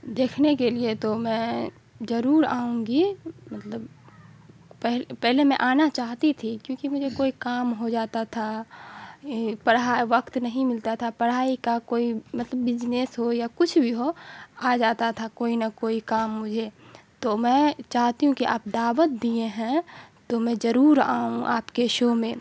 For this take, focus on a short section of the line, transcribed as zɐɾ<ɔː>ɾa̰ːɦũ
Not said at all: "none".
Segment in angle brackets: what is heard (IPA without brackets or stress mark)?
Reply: uː